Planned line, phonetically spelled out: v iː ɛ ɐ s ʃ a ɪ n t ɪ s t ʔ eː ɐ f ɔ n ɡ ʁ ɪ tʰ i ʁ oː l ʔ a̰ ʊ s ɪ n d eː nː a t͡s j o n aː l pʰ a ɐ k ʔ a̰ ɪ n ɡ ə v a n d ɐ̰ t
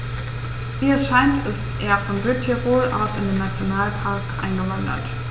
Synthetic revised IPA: v iː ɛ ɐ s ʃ a ɪ n t ɪ s t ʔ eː ɐ f ɔ n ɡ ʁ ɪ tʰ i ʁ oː l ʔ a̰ ʊ s ɪ n d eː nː a t͡s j o n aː l pʰ a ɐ k ʔ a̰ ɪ n ɡ ə v a n d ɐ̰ t